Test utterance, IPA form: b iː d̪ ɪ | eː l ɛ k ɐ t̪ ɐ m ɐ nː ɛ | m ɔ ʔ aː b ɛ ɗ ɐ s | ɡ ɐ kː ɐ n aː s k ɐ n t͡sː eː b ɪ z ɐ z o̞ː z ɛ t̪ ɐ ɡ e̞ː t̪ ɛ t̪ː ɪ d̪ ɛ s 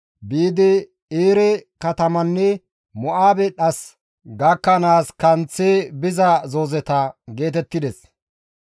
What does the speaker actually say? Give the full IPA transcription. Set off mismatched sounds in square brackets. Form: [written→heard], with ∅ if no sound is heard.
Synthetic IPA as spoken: b iː d̪ ɪ | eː [l→ɾ] ɛ k ɐ t̪ ɐ m ɐ nː ɛ | m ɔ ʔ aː b ɛ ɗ ɐ s | ɡ ɐ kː ɐ n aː s k ɐ n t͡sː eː b ɪ z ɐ z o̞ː z ɛ t̪ ɐ ɡ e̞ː t̪ ɛ t̪ː ɪ d̪ ɛ s